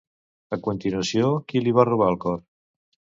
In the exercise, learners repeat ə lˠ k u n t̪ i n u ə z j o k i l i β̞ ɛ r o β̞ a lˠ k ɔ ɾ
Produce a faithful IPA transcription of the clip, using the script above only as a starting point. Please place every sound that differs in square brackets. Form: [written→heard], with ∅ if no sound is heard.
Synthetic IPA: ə [lˠ→∅] k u n t̪ i n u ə [z→s] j o k i l i β̞ [ɛ→a] r [o→u] β̞ a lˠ k ɔ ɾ

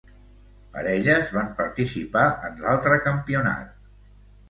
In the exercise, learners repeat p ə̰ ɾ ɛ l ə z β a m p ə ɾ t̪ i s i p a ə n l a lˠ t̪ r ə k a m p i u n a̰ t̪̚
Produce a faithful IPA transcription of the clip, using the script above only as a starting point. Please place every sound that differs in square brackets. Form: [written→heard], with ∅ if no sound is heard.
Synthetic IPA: p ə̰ ɾ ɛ [l→ʎ] ə z β a m p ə ɾ t̪ i s i p a ə n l a lˠ t̪ [r→ɾ] ə k [a→ə] m p i u n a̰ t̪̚

